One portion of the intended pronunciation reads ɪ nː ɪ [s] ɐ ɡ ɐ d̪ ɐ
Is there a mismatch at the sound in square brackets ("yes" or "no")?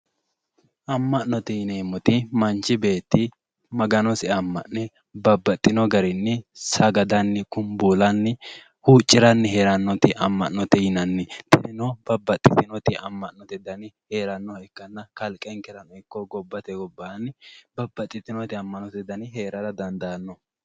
no